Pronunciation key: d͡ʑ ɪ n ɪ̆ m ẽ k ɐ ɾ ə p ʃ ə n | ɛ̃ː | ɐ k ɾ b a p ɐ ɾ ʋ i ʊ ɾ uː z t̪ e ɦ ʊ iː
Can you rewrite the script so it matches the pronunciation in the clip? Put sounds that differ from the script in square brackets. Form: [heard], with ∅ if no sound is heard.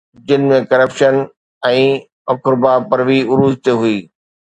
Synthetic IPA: d͡ʑ ɪ n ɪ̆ m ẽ k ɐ ɾ ə p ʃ ə n | ɛ̃ː | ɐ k ɾ b a p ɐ ɾ ʋ i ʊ ɾ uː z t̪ e ɦ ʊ iː